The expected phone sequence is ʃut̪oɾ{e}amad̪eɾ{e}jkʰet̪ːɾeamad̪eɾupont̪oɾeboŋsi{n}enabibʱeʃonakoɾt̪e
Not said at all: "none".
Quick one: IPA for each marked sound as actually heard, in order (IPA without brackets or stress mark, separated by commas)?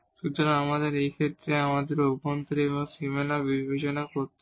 a, e, m